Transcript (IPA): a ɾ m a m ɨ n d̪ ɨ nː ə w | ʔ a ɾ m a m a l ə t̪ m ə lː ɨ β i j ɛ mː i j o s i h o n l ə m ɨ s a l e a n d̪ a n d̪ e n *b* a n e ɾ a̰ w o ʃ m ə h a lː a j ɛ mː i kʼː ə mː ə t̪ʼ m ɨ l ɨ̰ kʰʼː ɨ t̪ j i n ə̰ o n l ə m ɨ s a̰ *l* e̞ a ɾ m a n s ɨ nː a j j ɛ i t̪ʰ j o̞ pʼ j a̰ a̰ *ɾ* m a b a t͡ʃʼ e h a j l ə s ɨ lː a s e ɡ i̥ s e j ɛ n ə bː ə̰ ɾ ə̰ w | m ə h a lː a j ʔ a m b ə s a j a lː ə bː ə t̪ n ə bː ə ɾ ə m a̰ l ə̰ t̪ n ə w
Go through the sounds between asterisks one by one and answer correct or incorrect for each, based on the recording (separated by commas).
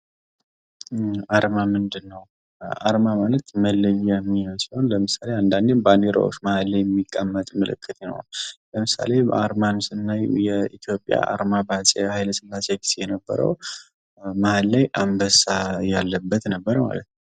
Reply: correct, correct, correct